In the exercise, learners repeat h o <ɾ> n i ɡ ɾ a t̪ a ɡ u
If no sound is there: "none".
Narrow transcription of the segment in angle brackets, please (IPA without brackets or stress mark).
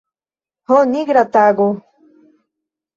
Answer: none